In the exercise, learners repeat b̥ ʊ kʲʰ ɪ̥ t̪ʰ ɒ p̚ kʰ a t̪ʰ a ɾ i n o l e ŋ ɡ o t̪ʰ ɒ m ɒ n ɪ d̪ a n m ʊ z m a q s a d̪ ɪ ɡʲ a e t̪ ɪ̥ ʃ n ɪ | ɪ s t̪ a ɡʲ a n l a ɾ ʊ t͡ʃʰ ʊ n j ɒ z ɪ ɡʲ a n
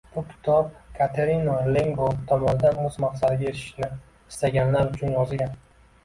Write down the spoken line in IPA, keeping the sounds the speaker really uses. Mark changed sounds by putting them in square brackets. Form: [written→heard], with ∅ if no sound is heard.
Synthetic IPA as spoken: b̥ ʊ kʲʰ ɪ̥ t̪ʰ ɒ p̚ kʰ a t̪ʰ [a→e] ɾ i n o l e ŋ ɡ o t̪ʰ ɒ m ɒ n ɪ d̪ a n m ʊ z m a q s a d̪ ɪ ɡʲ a e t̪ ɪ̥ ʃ n ɪ | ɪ s t̪ a ɡʲ a n l a ɾ ʊ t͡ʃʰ ʊ n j ɒ z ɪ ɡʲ a n